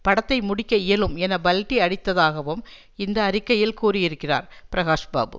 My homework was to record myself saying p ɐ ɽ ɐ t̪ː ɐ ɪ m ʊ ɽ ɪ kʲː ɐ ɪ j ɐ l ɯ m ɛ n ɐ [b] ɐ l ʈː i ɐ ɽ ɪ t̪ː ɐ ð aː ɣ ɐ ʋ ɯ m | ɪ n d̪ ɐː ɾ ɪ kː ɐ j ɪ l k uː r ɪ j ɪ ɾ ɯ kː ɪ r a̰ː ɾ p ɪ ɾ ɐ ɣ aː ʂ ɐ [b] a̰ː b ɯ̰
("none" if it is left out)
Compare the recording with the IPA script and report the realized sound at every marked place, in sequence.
b, b

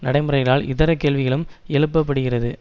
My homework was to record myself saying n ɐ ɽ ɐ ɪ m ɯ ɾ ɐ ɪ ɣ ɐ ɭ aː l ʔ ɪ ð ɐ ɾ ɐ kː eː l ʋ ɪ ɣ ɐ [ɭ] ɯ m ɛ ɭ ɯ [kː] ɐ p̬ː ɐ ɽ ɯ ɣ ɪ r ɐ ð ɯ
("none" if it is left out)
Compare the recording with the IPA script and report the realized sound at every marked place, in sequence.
ɭ, pː

